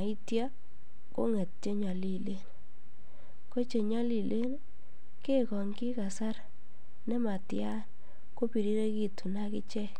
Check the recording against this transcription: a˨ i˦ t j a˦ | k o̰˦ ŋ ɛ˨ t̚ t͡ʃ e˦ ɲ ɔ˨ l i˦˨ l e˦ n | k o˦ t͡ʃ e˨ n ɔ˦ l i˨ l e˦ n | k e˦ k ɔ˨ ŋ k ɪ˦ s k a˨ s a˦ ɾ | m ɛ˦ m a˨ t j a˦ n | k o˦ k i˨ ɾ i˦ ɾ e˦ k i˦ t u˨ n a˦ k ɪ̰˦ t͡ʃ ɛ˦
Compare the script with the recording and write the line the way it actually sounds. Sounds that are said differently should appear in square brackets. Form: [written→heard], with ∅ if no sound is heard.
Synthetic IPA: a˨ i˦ t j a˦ | k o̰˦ ŋ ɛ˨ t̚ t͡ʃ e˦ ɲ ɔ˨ l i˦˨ l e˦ n | k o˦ t͡ʃ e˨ [n→ɲ] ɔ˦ l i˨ l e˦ n | k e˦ k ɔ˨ ŋ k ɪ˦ [s→∅] k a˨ s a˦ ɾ | [m→n] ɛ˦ m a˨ t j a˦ n | k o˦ [k→p] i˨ ɾ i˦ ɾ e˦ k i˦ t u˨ n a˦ k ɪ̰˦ t͡ʃ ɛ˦